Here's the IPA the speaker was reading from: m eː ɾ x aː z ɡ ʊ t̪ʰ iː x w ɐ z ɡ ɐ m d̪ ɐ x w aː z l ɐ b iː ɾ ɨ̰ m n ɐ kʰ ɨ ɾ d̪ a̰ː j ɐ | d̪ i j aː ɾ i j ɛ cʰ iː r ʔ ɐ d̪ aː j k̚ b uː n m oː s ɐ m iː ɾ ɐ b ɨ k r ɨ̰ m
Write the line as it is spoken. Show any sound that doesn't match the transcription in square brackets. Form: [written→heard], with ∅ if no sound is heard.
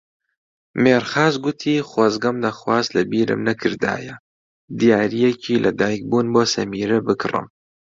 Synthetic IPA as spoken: m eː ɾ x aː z ɡ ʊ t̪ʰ iː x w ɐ z ɡ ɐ m d̪ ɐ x w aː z l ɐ b iː ɾ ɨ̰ m n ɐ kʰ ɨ ɾ d̪ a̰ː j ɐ | d̪ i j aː ɾ i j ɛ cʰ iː [r→l] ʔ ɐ d̪ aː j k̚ b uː n [m→b] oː s ɐ m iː ɾ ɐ b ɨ k r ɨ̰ m